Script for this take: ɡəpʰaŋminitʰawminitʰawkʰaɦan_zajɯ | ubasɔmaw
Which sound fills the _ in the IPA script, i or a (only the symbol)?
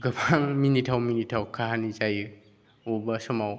i